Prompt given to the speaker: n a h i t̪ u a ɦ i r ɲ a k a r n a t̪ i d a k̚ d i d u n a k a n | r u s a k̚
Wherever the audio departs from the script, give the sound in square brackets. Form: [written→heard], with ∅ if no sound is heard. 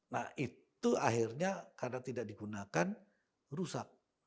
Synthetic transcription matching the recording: n a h i t̪ u a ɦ i r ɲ a k a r n a t̪ i d a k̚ d i [d→ɡ] u n a k a n | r u s a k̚